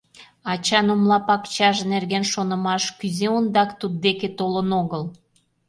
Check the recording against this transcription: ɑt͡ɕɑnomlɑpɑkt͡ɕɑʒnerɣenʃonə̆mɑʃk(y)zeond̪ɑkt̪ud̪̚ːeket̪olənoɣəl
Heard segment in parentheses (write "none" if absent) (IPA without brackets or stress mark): y